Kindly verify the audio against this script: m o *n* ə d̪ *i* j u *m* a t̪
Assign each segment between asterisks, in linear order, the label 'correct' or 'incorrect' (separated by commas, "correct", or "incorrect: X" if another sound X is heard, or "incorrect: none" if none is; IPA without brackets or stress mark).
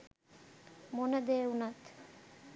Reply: correct, incorrect: e, incorrect: n